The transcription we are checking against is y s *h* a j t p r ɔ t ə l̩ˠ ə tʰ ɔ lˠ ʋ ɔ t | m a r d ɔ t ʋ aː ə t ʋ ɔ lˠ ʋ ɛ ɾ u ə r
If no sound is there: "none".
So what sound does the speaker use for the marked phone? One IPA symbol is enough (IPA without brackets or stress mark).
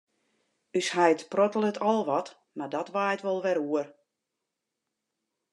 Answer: h